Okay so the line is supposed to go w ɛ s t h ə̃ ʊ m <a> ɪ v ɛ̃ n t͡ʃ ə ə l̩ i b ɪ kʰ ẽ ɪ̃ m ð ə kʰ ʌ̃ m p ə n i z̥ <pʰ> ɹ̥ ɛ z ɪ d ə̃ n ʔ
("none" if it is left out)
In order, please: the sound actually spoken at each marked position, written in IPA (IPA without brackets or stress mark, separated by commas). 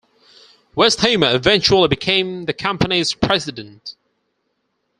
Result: ə, pʰ